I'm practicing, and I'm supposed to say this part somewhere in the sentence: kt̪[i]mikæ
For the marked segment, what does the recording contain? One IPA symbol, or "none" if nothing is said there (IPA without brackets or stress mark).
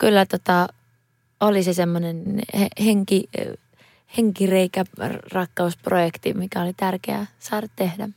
i